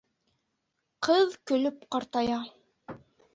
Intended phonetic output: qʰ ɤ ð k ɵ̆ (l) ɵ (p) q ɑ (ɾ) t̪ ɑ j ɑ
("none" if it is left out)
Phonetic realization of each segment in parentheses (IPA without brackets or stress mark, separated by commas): l, p, ɾ